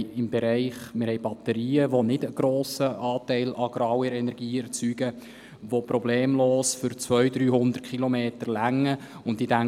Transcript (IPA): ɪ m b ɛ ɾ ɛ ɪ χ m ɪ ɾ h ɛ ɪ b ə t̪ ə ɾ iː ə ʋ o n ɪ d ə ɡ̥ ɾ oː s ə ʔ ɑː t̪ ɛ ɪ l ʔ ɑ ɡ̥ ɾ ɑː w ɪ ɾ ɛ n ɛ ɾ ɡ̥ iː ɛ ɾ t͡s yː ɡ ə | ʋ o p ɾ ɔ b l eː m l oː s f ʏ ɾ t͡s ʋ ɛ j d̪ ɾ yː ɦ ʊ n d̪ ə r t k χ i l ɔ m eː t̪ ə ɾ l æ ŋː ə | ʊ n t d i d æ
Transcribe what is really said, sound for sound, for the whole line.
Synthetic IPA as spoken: ɪ m b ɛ ɾ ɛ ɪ χ m ɪ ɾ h ɛ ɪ b ɑ t̪ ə ɾ iː ə ʋ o n ɪ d ə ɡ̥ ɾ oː s ə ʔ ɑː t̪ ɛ ɪ l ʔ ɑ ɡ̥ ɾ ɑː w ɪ ɾ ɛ n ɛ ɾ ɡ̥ iː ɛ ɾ t͡s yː ɡ ə | ʋ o p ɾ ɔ b l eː m l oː s f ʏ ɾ t͡s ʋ œ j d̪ ɾ yː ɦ ʊ n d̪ ə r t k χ i l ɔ m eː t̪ ə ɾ l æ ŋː ə | ʊ n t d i d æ